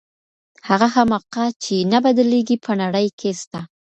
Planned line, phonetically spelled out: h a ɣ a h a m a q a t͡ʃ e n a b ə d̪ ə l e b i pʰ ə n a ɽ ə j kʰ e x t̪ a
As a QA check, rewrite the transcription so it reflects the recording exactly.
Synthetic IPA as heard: h a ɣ a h a m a q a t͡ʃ e n a b a d̪ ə l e ɡ i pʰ ə n a ɽ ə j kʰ e s t̪ a